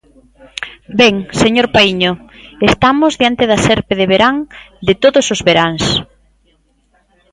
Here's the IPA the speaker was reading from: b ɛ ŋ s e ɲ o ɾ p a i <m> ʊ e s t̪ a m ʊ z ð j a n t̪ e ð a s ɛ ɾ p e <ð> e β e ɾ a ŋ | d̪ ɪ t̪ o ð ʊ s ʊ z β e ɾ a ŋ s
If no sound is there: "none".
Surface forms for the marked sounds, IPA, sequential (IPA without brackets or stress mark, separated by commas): ɲ, ð